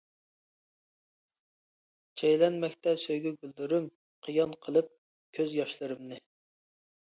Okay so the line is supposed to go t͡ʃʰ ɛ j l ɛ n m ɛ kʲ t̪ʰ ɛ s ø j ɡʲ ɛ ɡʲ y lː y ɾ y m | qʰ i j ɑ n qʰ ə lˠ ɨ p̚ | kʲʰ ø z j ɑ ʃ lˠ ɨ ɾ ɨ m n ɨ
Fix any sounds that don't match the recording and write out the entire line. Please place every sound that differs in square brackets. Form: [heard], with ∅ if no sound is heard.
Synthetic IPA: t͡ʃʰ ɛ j l ɛ n m ɛ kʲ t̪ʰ ɛ s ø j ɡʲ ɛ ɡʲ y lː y ɾ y m | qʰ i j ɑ n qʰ ə lˠ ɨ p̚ | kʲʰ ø z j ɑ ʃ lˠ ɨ ɾ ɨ m n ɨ